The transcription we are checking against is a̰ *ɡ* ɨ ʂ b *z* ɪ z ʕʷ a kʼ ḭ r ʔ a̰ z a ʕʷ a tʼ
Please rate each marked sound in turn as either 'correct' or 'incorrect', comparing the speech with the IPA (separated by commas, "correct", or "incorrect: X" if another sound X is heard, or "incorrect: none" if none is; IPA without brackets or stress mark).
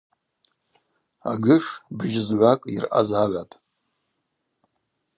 correct, incorrect: ʒ